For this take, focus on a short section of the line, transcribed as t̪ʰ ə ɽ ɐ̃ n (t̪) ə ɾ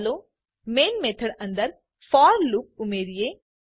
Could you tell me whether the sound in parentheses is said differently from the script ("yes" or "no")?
yes